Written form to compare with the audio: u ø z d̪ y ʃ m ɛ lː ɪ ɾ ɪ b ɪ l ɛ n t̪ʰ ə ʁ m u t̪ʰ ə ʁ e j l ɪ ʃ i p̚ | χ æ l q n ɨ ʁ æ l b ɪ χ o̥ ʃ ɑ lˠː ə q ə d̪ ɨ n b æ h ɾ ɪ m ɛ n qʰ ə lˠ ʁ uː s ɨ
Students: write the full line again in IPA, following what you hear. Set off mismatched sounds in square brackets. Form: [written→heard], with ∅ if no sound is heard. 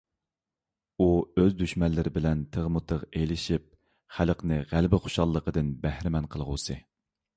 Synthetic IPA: u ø z d̪ y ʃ m ɛ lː ɪ ɾ ɪ b ɪ l ɛ n t̪ʰ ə ʁ m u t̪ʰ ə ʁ e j l ɪ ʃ i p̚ | χ æ l q n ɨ ʁ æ l b ɪ χ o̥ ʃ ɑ lˠː ə q ə d̪ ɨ n b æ h ɾ ɪ m ɛ n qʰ ə lˠ ʁ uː s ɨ